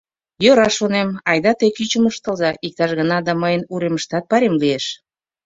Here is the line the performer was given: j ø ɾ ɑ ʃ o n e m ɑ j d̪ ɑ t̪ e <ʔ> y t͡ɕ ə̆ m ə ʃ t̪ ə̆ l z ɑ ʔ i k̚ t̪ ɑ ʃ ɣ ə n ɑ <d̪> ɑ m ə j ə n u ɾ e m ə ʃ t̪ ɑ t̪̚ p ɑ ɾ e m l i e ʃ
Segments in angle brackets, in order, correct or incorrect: incorrect: k, correct

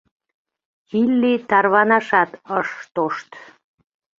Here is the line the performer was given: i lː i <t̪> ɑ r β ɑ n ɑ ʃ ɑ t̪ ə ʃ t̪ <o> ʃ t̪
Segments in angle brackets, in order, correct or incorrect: correct, correct

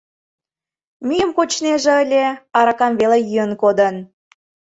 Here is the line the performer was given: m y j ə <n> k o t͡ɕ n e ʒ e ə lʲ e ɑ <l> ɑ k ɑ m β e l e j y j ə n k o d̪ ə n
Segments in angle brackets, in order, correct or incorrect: incorrect: m, incorrect: ɾ

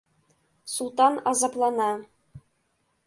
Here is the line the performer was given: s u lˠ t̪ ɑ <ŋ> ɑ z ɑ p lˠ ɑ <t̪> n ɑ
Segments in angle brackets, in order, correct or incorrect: incorrect: n, incorrect: none

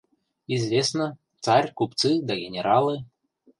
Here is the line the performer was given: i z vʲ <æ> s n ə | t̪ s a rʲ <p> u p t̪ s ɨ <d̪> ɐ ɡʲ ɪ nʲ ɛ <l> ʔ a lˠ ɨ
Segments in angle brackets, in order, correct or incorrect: incorrect: e, incorrect: k, correct, incorrect: ɾ

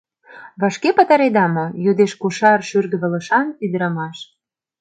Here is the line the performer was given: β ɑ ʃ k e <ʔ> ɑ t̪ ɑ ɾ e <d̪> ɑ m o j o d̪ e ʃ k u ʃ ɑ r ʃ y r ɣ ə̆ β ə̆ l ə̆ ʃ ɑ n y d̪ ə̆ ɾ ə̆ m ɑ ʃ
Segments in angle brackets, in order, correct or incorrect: incorrect: p, correct

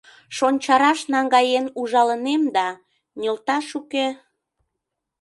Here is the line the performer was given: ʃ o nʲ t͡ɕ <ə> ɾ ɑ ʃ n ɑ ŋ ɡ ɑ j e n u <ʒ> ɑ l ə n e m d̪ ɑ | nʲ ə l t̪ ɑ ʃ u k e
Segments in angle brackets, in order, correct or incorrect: incorrect: ɑ, correct

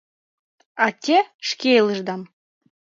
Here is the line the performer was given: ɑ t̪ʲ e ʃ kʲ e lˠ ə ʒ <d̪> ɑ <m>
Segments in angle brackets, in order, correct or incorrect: correct, correct

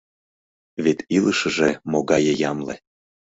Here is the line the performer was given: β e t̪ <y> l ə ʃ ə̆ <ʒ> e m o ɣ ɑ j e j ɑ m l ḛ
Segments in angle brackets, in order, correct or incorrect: incorrect: i, correct

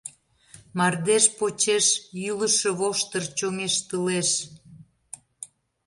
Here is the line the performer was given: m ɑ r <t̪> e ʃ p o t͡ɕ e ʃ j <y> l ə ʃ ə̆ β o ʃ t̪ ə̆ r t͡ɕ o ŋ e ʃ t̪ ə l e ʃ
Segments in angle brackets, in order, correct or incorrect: incorrect: d̪, correct

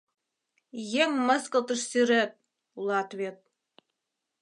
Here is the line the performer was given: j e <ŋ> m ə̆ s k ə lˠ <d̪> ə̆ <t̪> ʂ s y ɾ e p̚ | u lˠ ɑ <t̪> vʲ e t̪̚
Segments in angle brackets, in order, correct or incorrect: correct, incorrect: t̪, incorrect: none, correct

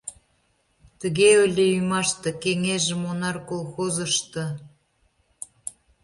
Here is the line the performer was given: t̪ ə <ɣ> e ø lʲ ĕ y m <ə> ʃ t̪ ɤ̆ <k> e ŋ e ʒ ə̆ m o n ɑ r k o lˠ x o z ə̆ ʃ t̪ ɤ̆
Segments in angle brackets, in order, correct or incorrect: correct, incorrect: ɑ, correct

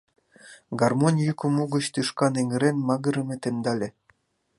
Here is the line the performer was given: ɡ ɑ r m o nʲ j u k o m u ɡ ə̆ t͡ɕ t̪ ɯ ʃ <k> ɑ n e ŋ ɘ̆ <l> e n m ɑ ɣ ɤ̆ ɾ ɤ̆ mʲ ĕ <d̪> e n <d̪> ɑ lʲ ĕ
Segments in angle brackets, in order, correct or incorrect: correct, incorrect: ɾ, incorrect: t̪, correct

